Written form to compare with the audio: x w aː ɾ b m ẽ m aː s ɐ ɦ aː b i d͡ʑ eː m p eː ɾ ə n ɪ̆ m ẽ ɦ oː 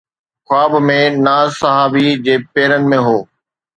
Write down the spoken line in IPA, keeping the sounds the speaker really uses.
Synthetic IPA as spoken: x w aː b m ẽ n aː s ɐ ɦ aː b i d͡ʑ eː p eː ɾ ə n ɪ̆ m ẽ ɦ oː